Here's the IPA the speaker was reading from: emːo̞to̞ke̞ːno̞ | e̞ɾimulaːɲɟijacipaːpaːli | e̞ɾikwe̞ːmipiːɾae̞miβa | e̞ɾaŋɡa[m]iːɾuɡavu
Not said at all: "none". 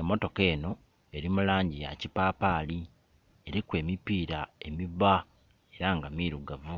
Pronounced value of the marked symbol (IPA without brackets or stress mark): m